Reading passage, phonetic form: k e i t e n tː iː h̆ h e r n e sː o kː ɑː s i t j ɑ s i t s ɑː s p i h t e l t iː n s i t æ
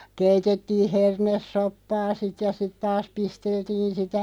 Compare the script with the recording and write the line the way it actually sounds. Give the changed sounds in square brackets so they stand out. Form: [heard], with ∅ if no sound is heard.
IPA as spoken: k e i t e [∅] tː iː h̆ h e r n e sː o [pː] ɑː s i t j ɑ s i t [t] ɑː s p i [s] t e l t iː n s i t æ